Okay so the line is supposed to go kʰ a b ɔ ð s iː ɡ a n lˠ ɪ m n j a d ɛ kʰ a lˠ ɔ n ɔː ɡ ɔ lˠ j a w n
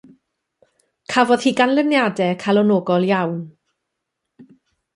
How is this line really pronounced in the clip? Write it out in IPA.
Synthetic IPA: kʰ a v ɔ ð h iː ɡ a n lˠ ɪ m n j a d ɛ kʰ a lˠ ɔ n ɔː ɡ ɔ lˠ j a w n